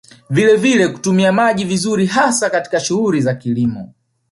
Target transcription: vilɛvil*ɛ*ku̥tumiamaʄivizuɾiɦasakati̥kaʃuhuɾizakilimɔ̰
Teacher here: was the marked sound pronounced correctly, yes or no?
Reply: yes